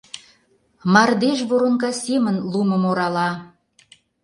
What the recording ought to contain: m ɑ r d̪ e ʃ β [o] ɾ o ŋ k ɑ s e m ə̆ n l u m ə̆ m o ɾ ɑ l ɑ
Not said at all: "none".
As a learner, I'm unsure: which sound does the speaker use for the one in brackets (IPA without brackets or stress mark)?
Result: o